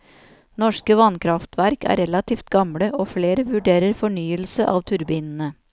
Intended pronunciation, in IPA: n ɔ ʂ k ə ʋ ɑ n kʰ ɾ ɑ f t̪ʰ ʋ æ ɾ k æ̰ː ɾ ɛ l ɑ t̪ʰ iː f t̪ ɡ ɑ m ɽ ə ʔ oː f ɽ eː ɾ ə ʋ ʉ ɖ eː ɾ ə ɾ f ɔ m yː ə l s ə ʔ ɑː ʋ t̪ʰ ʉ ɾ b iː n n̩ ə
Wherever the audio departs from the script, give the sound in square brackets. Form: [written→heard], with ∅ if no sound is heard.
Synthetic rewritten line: n ɔ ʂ k ə ʋ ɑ n kʰ ɾ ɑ f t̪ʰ ʋ æ ɾ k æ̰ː ɾ ɛ l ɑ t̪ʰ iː f t̪ ɡ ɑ m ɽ ə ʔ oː f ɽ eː ɾ ə ʋ ʉ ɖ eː ɾ ə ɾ f ɔ [m→ɳ] yː ə l s ə ʔ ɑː ʋ t̪ʰ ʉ ɾ b iː n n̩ ə